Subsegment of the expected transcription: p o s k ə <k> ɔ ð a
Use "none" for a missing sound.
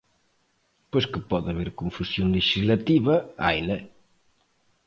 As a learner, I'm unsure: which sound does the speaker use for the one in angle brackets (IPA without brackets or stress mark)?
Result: p